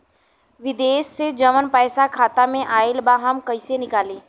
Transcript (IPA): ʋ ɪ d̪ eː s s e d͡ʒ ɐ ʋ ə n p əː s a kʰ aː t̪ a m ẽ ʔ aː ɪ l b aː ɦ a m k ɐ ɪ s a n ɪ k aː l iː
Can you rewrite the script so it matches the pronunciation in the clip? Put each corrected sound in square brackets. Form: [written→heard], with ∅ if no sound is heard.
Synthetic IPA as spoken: ʋ ɪ d̪ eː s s e d͡ʒ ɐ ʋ ə n p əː s a kʰ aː t̪ a m ẽ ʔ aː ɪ l b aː ɦ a m k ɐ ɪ s [a→e] n ɪ k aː l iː